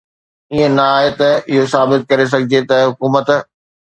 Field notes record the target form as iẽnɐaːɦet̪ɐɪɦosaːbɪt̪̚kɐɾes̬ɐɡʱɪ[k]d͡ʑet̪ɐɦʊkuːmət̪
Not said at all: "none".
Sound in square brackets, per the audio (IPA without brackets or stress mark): none